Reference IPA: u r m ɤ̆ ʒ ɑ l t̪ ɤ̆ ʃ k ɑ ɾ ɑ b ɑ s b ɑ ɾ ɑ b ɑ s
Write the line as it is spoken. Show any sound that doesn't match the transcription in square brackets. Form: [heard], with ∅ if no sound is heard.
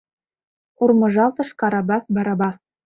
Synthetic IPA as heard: u r m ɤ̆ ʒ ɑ l t̪ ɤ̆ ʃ k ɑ ɾ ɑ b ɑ s b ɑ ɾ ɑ b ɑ s